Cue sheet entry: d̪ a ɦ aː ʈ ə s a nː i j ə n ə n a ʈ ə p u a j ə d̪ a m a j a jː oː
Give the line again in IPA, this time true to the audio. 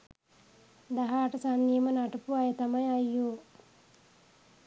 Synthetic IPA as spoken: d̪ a ɦ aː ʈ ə s a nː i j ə m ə n a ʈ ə p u a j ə t̪ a m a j a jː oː